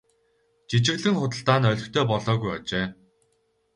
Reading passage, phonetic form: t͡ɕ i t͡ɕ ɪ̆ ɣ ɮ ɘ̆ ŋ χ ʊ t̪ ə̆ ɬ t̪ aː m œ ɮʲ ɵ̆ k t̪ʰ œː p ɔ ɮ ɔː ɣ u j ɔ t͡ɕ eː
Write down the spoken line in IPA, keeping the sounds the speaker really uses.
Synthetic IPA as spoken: t͡ɕ i t͡ɕ ɪ̆ ɣ ɮ ɘ̆ ŋ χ ʊ t̪ ə̆ ɬ t̪ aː n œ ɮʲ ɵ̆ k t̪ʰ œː p ɔ ɮ ɔː ɣ u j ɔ t͡ɕ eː